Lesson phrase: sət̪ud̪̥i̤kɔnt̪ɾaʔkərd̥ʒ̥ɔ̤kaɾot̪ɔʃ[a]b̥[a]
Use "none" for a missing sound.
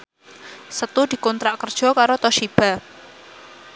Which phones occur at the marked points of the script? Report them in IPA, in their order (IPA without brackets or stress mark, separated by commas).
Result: i, a